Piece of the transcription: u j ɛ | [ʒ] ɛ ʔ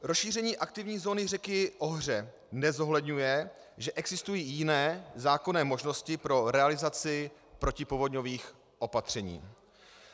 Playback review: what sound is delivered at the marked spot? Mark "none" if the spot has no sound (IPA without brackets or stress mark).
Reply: ʒ